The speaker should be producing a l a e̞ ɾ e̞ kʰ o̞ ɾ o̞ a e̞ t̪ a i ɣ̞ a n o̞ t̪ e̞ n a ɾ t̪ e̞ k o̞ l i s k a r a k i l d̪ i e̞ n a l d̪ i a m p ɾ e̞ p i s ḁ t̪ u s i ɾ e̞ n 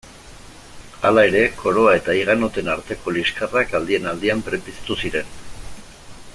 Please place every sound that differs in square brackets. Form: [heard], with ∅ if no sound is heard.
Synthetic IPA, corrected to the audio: a l a e̞ ɾ e̞ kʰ o̞ ɾ o̞ a e̞ t̪ a i ɣ̞ a n o̞ t̪ e̞ n a ɾ t̪ e̞ k o̞ l i s k a r a k [a] l d̪ i e̞ n a l d̪ i a m p ɾ e̞ p i s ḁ t̪ u s i ɾ e̞ n

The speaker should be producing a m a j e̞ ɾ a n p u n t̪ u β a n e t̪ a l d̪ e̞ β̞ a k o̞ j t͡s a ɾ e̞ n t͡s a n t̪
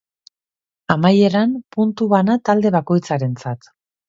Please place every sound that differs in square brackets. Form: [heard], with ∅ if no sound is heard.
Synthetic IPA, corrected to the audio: a m a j e̞ ɾ a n p u n t̪ u β a n [a] t̪ a l d̪ e̞ β̞ a k o̞ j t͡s a ɾ e̞ n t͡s a [∅] t̪

